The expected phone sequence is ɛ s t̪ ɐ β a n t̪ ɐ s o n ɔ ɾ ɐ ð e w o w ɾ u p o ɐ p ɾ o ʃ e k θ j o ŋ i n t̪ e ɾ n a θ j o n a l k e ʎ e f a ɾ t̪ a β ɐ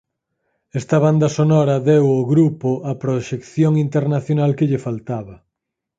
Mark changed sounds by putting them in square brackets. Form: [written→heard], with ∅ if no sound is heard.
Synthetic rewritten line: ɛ s t̪ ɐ β a n [t̪→d̪] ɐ s o n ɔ ɾ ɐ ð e w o [w→ɣ] ɾ u p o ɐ p ɾ o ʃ e k θ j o ŋ i n t̪ e ɾ n a θ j o n a l k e ʎ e f a [ɾ→l] t̪ a β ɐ